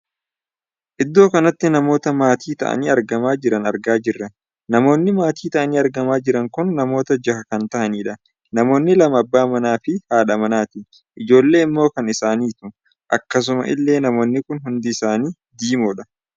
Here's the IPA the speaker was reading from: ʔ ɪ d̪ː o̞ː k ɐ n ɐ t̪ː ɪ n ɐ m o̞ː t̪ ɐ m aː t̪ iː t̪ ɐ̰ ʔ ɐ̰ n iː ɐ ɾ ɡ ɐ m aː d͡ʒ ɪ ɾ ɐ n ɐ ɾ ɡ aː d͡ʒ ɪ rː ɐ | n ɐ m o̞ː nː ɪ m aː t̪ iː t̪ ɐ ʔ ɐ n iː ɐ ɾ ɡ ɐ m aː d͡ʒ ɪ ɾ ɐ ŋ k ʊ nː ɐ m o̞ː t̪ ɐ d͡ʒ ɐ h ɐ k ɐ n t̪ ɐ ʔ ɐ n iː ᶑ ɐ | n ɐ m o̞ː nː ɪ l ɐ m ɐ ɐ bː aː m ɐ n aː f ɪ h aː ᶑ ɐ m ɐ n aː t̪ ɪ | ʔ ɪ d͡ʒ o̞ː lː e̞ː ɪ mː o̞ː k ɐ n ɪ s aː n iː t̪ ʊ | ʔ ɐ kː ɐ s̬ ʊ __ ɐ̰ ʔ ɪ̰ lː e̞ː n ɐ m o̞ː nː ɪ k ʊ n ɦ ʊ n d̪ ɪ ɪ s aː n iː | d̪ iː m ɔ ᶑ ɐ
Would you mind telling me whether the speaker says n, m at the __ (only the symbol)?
m